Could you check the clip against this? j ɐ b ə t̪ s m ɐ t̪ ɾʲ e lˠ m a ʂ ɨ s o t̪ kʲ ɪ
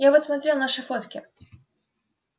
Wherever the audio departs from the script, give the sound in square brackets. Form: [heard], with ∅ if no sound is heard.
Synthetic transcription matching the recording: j [a] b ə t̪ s m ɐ t̪ ɾʲ e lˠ [n] a ʂ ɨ [f] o t̪ kʲ ɪ